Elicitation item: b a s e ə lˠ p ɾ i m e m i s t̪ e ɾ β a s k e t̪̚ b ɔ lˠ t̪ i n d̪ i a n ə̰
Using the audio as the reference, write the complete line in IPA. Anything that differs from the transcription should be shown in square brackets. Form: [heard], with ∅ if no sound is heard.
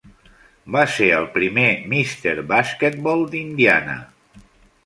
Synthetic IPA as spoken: b a s e ə lˠ p ɾ i m e m i s t̪ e ɾ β a s k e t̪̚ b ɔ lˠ [d̪] i n d̪ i a n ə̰